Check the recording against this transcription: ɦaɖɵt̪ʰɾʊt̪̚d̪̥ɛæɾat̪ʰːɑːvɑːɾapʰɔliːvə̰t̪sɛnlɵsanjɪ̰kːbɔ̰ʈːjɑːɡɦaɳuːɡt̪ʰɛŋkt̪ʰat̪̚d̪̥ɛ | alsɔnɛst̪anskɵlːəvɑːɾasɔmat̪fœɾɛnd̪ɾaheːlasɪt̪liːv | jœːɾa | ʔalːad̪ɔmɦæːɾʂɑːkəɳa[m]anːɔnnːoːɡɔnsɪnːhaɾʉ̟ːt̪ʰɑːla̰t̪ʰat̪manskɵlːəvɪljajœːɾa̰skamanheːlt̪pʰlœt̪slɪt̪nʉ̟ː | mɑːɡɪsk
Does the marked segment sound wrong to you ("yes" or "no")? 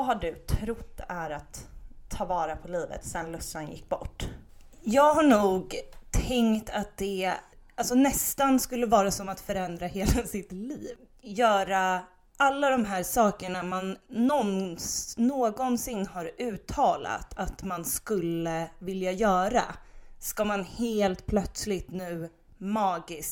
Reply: no